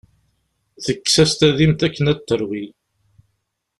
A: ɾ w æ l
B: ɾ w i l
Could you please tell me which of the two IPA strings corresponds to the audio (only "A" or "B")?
B